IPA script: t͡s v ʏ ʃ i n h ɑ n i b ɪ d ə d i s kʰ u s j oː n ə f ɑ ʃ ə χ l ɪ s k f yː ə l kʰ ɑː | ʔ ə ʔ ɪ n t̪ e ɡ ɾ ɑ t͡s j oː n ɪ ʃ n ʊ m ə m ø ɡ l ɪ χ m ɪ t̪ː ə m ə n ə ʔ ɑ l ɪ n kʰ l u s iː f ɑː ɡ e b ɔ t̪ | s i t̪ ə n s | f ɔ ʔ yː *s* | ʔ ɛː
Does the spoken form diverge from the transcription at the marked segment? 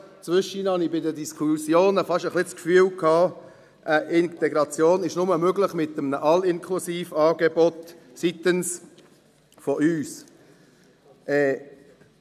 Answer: no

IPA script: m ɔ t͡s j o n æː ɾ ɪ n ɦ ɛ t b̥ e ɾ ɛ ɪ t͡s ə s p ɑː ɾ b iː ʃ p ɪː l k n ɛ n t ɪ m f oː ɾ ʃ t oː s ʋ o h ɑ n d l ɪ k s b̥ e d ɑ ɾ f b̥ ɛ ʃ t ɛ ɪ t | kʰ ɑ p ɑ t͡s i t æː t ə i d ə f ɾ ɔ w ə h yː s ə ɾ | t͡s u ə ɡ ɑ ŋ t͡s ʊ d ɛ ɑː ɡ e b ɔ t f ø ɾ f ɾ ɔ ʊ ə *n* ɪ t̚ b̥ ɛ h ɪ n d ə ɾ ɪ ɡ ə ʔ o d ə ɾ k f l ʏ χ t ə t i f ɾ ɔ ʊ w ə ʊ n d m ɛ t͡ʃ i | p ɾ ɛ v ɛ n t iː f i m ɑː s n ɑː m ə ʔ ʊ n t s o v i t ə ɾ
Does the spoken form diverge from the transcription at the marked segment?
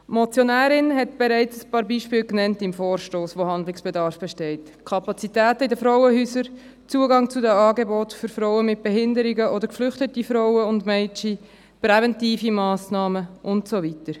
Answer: yes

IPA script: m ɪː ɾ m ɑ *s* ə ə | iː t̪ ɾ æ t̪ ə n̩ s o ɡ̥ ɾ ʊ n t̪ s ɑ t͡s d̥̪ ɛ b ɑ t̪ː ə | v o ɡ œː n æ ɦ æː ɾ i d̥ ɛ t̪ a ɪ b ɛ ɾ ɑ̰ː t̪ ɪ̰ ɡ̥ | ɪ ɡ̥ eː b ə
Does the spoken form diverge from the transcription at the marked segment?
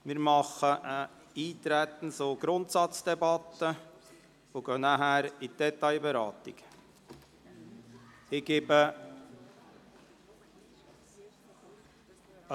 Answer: yes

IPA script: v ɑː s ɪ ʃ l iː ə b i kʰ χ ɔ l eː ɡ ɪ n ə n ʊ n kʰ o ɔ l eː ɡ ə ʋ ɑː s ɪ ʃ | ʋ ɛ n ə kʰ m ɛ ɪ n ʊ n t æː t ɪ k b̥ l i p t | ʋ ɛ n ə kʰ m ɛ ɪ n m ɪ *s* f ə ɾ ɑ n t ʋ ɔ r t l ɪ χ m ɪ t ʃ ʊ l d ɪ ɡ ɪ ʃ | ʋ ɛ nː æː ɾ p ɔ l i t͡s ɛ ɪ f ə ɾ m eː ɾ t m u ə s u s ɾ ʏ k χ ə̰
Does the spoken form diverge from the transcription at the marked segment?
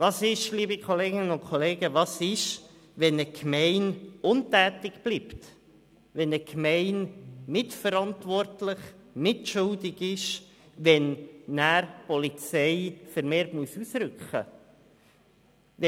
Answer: yes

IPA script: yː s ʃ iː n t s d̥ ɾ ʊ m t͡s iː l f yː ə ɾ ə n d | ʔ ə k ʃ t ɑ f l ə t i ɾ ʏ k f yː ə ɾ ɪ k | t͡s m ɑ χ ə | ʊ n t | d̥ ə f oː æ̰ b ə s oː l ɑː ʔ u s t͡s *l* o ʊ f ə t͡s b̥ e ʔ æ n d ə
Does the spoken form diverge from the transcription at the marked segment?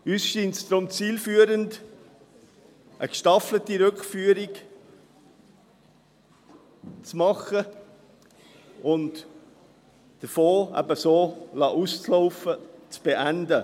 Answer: no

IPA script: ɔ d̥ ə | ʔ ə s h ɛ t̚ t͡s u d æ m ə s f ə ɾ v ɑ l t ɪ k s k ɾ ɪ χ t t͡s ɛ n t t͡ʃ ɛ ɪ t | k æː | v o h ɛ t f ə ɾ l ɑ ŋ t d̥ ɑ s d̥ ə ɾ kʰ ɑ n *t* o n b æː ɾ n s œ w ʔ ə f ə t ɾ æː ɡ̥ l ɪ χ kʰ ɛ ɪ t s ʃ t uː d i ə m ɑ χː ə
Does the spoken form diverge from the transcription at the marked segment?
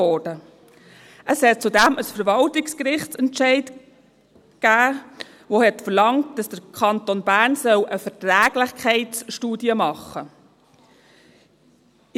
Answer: no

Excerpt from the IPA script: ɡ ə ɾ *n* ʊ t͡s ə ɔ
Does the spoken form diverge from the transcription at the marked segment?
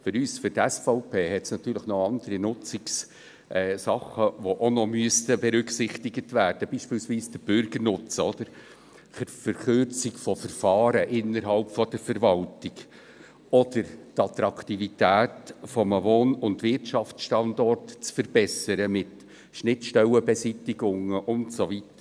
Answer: no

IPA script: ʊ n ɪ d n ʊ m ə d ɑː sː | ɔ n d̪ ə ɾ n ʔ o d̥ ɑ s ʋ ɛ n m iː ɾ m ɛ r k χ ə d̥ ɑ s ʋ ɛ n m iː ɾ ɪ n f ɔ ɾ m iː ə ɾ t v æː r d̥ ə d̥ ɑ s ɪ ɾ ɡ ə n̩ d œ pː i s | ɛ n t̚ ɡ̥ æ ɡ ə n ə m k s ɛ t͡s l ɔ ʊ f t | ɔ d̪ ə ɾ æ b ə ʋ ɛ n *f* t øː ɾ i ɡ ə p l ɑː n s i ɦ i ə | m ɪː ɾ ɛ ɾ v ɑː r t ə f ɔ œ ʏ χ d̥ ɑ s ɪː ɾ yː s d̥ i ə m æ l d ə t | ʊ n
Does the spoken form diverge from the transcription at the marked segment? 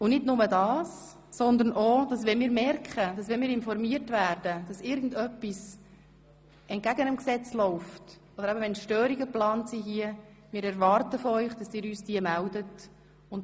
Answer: yes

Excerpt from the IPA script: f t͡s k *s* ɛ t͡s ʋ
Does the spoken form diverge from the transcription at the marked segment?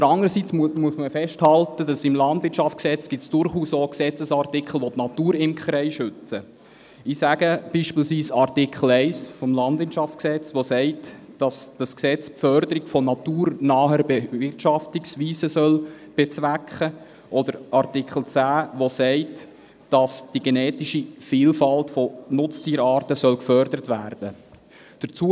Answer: no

